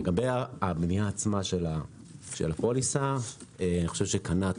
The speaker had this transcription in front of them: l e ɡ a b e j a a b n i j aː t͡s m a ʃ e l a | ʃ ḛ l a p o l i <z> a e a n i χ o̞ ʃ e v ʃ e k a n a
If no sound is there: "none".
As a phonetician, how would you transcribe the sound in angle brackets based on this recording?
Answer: s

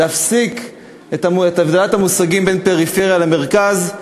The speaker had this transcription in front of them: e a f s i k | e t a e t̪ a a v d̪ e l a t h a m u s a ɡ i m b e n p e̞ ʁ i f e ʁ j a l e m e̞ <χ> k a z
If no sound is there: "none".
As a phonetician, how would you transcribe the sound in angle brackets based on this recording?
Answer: ʁ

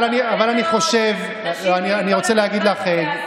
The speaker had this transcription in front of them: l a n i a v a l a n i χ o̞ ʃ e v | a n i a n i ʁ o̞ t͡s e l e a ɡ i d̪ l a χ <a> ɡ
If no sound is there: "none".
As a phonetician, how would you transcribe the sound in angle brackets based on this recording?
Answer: e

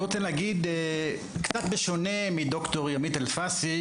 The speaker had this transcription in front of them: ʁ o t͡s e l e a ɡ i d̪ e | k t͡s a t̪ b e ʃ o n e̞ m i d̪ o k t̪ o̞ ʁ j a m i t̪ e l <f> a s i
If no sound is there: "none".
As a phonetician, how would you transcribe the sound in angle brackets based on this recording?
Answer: f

